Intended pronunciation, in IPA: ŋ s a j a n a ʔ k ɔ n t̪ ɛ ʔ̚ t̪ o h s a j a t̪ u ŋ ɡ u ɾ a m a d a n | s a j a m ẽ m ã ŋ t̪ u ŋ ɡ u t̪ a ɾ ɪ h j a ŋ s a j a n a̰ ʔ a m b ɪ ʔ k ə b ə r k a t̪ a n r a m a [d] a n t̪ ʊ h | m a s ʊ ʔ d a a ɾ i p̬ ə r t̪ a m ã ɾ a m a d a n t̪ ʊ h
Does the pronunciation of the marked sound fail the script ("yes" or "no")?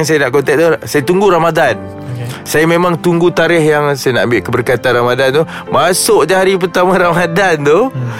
no